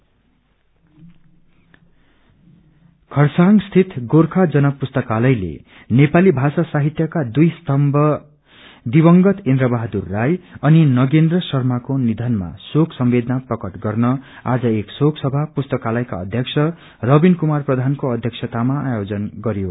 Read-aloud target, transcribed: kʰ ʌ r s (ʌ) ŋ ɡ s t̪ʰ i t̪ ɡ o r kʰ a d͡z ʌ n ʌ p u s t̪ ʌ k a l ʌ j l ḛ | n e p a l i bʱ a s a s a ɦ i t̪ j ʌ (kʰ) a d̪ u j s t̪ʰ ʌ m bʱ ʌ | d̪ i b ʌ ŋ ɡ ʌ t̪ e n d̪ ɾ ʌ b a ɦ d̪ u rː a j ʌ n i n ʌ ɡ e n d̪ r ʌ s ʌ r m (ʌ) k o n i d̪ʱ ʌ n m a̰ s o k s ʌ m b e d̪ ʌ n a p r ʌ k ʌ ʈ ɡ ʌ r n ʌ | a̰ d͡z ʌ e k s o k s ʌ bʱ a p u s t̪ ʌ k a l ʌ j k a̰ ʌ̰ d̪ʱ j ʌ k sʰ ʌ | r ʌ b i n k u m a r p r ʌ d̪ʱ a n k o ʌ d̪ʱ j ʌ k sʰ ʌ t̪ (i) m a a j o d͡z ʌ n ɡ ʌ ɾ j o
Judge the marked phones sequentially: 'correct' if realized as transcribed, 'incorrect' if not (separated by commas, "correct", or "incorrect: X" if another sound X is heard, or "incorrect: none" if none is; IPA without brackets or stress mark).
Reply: incorrect: a, incorrect: k, incorrect: a, incorrect: a